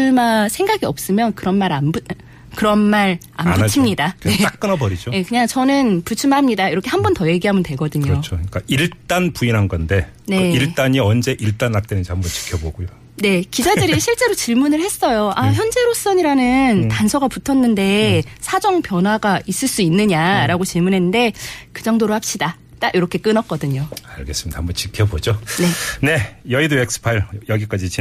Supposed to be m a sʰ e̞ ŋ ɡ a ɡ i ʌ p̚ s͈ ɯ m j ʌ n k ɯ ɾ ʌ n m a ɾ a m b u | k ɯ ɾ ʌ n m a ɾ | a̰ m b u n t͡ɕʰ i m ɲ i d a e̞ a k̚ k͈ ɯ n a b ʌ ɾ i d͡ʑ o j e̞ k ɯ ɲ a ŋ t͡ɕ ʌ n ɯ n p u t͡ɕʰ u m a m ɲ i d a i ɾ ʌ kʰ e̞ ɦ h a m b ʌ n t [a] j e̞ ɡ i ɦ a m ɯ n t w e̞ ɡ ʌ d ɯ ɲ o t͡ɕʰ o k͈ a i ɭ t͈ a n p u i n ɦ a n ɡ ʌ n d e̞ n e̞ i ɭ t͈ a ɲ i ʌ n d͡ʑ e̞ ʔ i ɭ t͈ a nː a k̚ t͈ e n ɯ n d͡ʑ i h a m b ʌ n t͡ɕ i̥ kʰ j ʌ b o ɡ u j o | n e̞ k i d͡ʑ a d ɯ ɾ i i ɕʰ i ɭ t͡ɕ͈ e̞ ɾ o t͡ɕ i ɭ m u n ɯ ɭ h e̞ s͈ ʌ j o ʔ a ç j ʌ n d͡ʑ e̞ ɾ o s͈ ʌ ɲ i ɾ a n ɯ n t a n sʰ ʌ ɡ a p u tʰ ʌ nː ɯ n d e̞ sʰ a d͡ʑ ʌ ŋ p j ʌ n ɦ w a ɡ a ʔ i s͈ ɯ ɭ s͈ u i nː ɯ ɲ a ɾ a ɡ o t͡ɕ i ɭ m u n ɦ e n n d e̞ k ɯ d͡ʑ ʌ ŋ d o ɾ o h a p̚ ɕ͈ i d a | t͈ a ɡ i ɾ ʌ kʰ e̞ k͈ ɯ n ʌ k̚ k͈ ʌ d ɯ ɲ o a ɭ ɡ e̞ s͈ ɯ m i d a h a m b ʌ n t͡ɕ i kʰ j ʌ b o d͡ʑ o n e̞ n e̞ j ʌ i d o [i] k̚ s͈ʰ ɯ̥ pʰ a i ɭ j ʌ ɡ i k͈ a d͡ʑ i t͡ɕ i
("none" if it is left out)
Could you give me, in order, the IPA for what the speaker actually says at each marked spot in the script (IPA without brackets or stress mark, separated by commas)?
ʌ, e